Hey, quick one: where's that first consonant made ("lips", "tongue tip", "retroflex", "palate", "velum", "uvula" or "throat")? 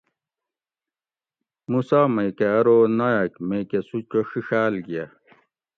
lips